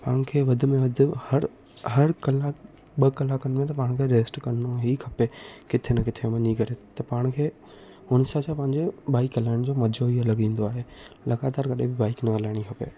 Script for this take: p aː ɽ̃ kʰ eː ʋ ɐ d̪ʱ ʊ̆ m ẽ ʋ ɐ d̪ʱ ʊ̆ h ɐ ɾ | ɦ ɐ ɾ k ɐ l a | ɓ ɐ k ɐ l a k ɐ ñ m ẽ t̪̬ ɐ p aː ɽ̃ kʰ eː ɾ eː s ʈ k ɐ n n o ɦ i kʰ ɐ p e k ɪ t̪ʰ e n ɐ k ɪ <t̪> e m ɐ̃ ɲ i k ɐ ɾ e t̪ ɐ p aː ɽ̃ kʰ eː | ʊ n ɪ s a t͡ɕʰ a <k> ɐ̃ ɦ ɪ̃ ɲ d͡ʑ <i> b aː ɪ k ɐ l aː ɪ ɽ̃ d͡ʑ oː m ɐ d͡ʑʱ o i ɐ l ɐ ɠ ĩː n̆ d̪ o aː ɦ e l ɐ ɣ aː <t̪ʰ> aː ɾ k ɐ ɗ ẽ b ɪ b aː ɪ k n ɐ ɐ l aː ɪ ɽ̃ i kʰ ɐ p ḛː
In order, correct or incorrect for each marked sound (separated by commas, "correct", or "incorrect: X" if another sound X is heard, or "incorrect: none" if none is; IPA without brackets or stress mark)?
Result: incorrect: t̪ʰ, incorrect: p, incorrect: e, incorrect: t̪